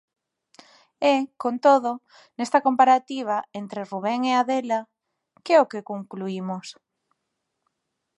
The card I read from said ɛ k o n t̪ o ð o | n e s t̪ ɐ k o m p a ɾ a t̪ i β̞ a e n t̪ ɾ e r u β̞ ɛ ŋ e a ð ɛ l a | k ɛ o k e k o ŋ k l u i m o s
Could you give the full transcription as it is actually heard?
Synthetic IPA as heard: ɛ k o n t̪ o ð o | n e s t̪ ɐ k o m p a ɾ a t̪ i β̞ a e n t̪ ɾ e r u β̞ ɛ ŋ e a ð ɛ l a | k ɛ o k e k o ŋ k l u i m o s